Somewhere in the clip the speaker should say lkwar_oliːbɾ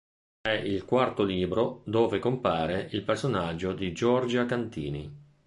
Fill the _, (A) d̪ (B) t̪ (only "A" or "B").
B